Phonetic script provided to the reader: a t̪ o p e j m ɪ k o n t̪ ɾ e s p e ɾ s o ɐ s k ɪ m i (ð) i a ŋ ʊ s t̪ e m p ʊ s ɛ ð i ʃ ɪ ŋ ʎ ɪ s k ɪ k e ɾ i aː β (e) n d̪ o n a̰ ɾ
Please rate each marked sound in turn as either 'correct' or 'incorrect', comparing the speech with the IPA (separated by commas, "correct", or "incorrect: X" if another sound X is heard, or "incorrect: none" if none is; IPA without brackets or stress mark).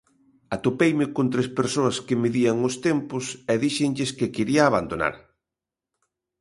correct, incorrect: a